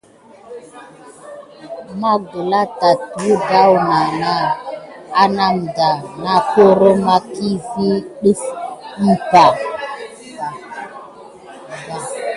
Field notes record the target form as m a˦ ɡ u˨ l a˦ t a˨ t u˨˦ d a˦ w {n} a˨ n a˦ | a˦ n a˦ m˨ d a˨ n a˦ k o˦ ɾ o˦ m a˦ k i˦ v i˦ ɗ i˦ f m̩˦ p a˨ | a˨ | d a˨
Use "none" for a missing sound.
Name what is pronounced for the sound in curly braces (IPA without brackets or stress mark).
n